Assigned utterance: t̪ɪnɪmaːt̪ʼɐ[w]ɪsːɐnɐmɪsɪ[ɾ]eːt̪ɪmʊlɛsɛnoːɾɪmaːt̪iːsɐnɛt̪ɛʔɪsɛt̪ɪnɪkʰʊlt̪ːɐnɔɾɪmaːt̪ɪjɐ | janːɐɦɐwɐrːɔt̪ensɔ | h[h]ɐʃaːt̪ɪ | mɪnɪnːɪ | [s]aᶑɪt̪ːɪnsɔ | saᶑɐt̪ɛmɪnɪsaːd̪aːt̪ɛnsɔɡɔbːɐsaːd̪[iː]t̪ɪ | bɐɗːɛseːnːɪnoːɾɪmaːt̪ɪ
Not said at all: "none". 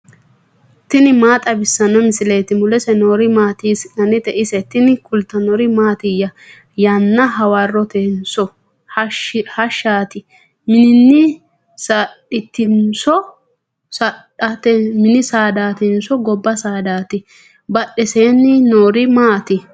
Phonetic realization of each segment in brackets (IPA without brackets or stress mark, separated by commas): b, l, h, s, aː